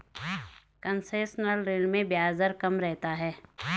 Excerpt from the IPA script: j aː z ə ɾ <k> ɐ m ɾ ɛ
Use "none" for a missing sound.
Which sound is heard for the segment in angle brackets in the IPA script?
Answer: k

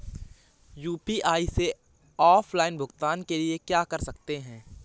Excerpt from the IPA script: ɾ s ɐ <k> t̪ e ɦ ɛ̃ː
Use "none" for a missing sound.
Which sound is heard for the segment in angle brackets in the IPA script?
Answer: k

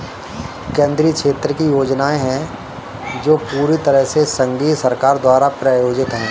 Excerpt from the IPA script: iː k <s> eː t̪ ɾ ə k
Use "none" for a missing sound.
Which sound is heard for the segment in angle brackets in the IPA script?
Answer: ʃ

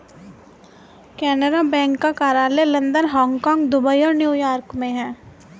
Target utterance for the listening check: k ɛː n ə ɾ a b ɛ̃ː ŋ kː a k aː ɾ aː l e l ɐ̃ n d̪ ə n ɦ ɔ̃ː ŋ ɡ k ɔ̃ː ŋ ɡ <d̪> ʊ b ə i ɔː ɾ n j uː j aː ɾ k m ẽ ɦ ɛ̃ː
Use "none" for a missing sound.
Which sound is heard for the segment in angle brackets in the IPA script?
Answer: d̪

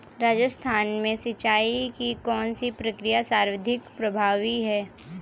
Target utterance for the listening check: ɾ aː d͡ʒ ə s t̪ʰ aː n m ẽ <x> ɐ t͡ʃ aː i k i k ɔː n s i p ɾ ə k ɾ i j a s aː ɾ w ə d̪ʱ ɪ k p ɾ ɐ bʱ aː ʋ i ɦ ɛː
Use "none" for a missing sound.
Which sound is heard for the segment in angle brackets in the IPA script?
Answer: s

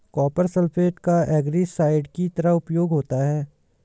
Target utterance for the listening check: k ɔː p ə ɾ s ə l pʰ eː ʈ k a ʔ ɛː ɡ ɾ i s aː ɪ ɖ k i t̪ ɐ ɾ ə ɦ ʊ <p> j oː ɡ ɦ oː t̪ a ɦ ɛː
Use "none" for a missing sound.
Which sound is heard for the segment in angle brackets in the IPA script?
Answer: p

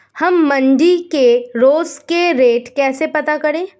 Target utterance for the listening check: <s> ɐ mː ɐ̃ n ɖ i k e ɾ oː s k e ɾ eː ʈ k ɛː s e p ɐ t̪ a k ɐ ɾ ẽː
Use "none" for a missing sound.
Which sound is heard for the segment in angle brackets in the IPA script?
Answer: h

